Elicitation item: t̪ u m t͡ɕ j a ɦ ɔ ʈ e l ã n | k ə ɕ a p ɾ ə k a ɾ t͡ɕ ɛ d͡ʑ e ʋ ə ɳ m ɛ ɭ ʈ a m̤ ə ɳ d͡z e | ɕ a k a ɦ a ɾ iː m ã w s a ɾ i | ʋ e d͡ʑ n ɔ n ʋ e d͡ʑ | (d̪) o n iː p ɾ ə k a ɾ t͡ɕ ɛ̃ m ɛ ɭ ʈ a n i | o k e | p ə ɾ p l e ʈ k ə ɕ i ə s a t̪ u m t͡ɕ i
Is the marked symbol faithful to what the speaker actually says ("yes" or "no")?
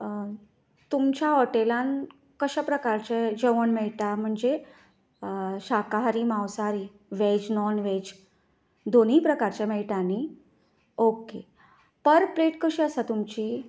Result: yes